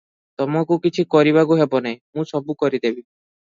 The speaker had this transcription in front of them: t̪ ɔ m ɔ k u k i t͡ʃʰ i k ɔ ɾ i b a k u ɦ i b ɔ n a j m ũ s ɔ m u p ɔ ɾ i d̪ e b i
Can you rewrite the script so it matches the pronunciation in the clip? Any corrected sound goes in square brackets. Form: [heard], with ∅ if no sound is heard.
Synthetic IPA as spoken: t̪ ɔ m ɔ k u k i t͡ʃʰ i k ɔ ɾ i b a k u ɦ [e] b ɔ n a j m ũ s ɔ [b] u [k] ɔ ɾ i d̪ e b i